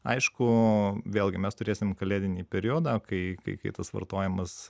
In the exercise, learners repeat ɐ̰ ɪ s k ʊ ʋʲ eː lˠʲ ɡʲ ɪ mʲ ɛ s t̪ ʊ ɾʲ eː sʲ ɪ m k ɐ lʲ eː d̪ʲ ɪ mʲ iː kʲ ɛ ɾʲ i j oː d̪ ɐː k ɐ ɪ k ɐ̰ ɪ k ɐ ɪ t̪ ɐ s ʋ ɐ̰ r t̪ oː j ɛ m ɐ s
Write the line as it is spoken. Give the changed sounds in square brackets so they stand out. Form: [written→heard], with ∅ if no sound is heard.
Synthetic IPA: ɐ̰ ɪ [s→ʃ] k ʊ ʋʲ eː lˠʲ ɡʲ ɪ mʲ ɛ s t̪ ʊ ɾʲ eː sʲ ɪ m k ɐ lʲ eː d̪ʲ ɪ [mʲ→nʲ] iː [kʲ→pʲ] ɛ ɾʲ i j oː d̪ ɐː k ɐ ɪ k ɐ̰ ɪ k ɐ ɪ t̪ ɐ s ʋ ɐ̰ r t̪ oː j ɛ m ɐ s